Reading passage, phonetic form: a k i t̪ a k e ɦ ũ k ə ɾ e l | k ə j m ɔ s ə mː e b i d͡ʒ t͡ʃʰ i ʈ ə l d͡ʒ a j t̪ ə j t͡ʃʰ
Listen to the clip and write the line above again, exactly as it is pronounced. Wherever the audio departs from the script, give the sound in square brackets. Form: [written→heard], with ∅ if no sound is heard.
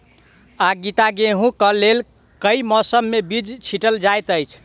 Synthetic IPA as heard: a [k→ɡ] i t̪ a [k→ɡ] e ɦ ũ k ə [ɾ→l] e l | k ə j m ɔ s ə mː e b i d͡ʒ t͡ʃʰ i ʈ ə l d͡ʒ a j t̪ ə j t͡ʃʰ